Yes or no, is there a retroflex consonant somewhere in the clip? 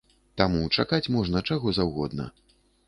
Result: yes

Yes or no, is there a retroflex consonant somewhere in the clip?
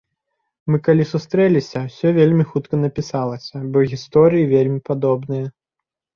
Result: no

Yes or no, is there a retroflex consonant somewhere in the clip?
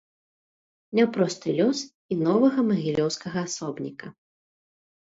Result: no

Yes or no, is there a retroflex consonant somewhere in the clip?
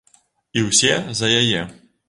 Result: no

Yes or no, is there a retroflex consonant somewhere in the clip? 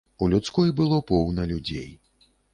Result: no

